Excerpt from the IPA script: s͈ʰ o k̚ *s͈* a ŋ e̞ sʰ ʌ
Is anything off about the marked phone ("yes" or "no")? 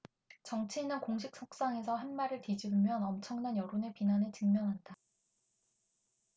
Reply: no